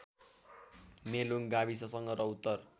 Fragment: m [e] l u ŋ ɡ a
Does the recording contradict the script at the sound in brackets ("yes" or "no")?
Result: no